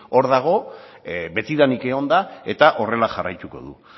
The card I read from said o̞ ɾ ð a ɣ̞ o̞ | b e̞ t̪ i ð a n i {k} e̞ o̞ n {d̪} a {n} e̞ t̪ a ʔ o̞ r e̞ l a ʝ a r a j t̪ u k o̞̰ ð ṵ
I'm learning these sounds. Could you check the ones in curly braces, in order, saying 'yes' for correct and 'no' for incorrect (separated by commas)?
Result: yes, yes, no